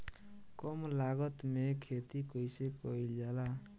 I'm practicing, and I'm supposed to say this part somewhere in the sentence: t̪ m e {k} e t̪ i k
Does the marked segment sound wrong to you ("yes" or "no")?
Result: yes